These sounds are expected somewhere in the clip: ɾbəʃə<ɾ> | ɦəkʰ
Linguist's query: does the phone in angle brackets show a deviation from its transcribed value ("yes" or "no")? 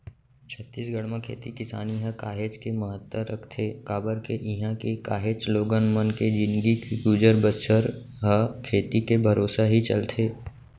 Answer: no